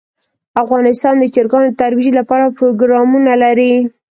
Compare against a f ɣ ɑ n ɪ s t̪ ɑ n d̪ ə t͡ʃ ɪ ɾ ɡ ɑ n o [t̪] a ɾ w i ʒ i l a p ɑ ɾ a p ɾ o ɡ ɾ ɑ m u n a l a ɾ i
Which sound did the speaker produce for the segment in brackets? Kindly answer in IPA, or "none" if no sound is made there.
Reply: t̪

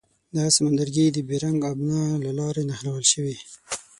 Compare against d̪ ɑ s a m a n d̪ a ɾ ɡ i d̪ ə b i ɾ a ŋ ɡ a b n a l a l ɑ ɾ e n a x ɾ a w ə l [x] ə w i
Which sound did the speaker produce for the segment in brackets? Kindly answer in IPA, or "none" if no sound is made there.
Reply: ʃ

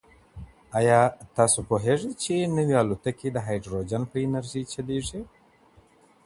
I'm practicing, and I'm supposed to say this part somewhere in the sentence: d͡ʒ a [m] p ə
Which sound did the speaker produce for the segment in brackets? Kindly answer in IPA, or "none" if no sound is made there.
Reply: n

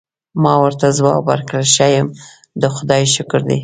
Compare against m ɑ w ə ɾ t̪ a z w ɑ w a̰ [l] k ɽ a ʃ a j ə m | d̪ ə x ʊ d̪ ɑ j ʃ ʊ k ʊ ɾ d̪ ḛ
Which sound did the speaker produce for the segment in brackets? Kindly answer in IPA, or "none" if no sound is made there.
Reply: ɾ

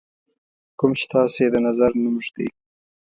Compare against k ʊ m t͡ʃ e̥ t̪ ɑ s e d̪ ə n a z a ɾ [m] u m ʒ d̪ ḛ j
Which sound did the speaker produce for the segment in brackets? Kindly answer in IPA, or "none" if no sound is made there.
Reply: n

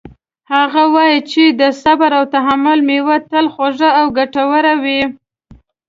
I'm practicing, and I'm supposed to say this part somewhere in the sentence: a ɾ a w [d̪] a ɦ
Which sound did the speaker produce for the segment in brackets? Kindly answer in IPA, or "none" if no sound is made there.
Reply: t̪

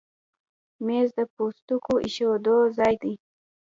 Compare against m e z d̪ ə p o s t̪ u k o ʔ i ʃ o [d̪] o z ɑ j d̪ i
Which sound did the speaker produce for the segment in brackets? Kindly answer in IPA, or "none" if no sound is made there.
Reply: d̪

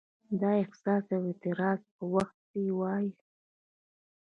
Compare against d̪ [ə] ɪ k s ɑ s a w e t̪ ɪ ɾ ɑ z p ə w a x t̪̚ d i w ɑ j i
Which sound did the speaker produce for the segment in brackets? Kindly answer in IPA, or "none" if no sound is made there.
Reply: ɑ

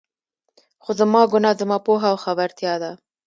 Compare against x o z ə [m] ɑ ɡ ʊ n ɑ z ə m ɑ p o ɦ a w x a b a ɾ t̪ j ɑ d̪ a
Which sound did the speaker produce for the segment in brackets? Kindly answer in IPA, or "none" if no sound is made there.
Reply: m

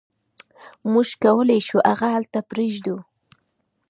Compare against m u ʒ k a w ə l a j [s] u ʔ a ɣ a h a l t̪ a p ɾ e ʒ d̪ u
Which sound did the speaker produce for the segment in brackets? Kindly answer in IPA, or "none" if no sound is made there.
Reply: ʃ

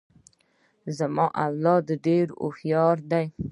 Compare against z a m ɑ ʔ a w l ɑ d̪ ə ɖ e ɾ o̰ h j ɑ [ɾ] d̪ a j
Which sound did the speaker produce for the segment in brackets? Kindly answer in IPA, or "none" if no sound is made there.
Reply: ɾ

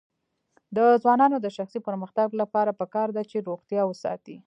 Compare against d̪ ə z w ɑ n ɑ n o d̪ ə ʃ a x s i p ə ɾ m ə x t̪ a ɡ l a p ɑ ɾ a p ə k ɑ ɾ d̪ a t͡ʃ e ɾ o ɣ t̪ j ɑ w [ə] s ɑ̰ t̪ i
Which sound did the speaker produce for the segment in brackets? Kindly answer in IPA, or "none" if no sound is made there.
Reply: ə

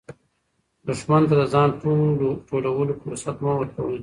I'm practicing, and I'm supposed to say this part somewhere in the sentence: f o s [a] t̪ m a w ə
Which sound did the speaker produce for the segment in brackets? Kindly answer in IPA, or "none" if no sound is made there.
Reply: a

